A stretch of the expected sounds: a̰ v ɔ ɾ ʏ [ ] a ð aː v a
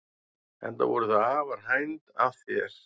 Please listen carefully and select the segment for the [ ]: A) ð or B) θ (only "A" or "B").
B